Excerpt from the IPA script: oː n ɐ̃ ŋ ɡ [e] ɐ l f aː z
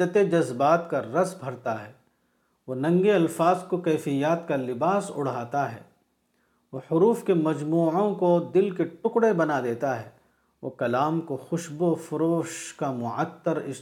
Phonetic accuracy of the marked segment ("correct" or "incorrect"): correct